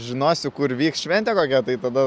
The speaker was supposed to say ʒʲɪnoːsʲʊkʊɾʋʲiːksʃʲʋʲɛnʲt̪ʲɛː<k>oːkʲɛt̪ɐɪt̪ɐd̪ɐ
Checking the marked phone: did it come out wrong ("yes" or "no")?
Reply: no